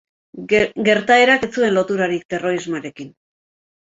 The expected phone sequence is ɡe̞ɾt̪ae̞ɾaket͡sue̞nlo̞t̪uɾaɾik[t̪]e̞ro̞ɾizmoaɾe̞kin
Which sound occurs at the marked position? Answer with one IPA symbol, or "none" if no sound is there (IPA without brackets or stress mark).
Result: t̪